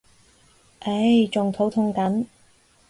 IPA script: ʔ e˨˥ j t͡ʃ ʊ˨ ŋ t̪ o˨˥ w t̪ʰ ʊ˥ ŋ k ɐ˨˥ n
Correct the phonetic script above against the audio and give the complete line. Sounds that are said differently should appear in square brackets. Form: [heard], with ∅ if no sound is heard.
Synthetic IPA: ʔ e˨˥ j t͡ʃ ʊ˨ ŋ [t̪ʰ] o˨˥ w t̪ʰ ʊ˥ ŋ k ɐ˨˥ n